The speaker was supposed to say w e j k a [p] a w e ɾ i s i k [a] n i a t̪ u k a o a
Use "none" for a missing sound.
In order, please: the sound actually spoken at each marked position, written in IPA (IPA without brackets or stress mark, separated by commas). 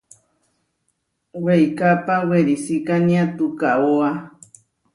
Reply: p, a